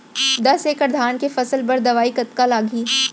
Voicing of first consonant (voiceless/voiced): voiced